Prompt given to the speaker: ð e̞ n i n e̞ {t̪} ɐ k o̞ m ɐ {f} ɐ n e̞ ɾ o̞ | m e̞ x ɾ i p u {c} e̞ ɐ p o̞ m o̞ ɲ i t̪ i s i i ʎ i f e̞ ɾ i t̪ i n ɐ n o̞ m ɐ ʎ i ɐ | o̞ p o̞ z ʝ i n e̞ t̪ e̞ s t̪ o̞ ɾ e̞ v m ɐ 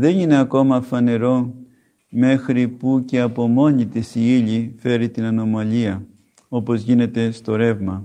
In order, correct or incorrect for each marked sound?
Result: incorrect: none, correct, correct

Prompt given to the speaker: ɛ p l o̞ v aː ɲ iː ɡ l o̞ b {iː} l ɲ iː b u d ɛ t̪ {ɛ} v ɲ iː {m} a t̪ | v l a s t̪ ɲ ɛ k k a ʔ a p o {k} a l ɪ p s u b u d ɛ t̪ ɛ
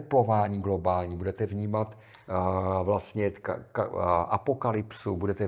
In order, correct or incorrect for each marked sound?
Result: incorrect: aː, correct, correct, correct

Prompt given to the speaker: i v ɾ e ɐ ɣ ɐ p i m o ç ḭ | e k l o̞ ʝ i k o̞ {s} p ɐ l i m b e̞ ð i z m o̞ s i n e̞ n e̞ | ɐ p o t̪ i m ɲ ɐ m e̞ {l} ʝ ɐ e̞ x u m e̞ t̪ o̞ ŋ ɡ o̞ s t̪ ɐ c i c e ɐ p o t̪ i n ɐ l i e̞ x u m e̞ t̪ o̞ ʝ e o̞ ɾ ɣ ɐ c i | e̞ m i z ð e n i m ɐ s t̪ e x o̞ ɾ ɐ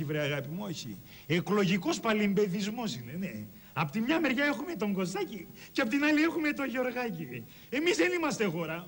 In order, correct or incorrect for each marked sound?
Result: correct, incorrect: ɾ

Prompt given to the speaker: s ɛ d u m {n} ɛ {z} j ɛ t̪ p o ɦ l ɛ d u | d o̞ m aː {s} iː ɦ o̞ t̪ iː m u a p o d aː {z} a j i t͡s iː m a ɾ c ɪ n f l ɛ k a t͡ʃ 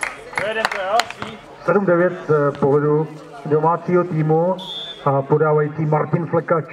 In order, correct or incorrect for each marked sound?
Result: incorrect: d, incorrect: v, incorrect: t͡s, incorrect: v

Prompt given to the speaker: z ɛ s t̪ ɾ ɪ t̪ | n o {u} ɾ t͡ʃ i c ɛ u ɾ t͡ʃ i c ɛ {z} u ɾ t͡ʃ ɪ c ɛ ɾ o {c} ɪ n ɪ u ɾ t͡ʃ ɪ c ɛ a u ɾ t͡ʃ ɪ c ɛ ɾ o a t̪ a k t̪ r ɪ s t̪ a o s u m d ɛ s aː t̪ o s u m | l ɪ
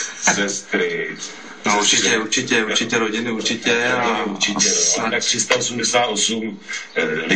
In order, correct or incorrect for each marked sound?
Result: correct, incorrect: none, incorrect: ɟ

